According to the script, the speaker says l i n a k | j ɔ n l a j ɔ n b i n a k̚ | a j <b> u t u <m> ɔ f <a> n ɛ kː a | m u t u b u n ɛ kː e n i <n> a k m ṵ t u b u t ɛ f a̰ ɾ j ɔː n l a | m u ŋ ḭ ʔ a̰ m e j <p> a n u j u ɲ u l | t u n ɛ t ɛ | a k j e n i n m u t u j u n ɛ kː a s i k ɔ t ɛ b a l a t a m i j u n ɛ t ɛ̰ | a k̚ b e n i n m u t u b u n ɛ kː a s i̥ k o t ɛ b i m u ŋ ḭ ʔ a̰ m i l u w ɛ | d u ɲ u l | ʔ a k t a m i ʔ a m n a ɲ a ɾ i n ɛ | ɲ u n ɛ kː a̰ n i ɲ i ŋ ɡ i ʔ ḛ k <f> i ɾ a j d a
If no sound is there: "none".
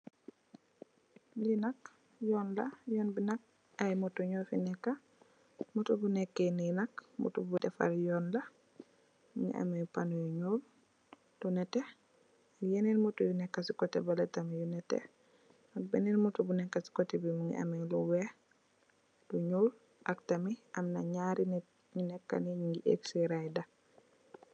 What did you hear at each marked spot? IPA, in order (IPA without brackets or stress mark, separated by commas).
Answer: m, ɲ, i, n, p, s